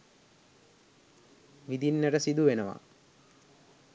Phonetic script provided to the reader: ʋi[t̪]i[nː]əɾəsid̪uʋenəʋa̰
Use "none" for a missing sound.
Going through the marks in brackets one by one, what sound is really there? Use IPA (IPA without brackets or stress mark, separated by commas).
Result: d̪, nː